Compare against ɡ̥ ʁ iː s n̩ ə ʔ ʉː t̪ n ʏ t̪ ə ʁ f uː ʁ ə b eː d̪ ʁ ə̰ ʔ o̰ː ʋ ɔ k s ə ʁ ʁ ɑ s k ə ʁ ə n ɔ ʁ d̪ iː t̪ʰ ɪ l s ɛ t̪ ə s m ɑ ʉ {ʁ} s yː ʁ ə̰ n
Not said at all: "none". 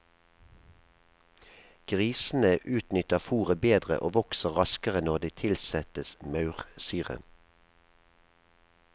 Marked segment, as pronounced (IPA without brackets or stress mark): ʁ